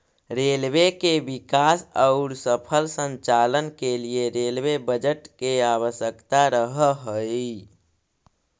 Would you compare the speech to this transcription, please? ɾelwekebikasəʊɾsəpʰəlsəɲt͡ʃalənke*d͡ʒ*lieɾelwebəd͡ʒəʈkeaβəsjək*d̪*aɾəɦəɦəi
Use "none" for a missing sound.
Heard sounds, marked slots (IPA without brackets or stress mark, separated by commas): none, t̪